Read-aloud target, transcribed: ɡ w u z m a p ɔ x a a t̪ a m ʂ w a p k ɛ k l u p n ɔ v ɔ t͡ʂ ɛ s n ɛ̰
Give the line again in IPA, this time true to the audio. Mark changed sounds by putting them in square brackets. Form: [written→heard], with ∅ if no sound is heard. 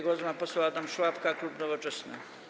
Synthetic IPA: ɡ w [u→ɔ] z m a p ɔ [x→s] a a t̪ a m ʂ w a p k [ɛ→a] k l u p n ɔ v ɔ t͡ʂ ɛ s n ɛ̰